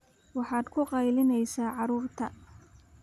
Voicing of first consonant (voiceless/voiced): voiced